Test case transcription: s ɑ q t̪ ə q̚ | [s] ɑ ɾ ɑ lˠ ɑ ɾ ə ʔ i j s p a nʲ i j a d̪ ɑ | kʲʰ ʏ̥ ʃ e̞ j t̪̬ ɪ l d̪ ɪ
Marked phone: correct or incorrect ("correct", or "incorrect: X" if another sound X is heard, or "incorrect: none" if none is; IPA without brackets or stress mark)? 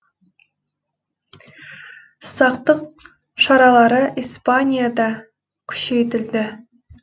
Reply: incorrect: ʃ